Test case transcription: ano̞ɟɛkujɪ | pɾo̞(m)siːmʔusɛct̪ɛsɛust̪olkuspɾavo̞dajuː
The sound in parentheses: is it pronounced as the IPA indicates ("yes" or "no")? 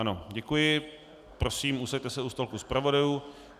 no